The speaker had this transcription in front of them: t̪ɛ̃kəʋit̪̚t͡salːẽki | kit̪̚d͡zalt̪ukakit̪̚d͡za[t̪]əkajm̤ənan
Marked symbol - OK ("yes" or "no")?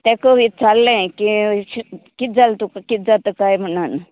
yes